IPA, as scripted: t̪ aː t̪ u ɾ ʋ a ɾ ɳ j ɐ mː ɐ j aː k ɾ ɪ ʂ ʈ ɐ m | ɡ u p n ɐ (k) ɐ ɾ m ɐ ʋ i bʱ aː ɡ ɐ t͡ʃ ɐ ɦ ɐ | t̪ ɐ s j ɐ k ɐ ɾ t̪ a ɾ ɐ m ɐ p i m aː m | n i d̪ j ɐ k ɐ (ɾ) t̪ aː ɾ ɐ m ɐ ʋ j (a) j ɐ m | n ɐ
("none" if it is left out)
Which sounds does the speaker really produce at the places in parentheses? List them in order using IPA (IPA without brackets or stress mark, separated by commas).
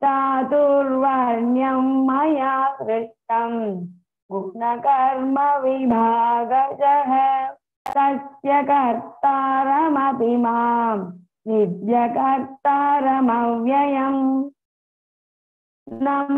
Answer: k, ɾ, ɐ